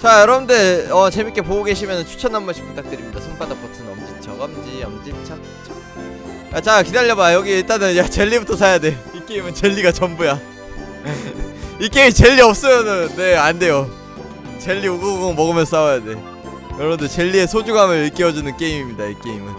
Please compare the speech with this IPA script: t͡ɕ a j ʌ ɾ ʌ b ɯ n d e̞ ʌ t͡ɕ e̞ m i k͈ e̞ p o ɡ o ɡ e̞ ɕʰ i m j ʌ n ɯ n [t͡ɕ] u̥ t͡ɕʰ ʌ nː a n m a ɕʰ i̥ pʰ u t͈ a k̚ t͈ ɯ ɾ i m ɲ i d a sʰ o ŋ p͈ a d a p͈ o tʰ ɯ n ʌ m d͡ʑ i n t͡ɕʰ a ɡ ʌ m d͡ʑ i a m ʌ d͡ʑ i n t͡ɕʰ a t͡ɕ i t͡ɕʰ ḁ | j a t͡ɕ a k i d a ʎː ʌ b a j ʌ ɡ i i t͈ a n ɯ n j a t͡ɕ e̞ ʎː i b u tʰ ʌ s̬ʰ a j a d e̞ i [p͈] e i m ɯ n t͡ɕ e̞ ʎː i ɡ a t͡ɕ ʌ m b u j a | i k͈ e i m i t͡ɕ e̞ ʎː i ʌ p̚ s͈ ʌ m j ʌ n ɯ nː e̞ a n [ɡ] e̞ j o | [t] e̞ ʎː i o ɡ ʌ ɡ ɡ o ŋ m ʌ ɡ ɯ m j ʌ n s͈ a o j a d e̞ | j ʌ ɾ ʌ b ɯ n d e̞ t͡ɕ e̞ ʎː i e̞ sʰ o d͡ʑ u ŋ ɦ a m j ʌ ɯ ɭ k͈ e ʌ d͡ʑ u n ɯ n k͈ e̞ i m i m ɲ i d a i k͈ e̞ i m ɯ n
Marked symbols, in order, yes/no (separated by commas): no, no, no, no